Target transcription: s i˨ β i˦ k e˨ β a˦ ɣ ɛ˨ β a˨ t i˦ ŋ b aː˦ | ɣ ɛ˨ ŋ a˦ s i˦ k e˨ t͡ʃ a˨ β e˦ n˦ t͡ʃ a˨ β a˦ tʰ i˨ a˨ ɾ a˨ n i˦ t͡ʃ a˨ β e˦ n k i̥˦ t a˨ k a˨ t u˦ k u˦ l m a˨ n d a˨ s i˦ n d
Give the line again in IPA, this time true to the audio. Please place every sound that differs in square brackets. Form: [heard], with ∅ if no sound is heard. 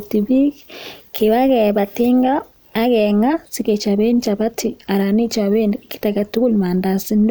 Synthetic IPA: [t] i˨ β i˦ k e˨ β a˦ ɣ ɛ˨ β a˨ t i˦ ŋ [ɡ] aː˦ | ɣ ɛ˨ ŋ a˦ s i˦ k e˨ t͡ʃ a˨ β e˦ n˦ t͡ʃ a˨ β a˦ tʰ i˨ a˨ ɾ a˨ n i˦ t͡ʃ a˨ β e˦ n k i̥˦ t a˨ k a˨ t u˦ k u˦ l m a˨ n d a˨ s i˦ n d